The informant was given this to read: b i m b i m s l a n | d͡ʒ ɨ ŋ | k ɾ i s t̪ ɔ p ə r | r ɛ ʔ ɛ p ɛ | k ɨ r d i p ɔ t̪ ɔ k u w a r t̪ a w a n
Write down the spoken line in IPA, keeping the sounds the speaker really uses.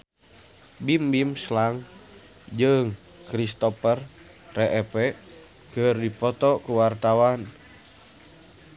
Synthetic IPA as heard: b i m b i m s l a ŋ | d͡ʒ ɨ ŋ | k ɾ i s t̪ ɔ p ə r | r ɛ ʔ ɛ p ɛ | k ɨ r d i p ɔ t̪ ɔ k u w a r t̪ a w a n